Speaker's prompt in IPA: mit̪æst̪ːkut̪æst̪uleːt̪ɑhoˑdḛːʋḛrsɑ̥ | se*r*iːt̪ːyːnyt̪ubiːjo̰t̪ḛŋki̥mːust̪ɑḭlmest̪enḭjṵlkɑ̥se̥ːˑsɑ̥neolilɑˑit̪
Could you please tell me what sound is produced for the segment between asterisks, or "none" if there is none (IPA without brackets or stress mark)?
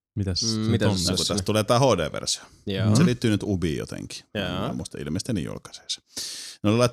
l